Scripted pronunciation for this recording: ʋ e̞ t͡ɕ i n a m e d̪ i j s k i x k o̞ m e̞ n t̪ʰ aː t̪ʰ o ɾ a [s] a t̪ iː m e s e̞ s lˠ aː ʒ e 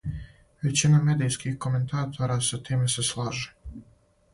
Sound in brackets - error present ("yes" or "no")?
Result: no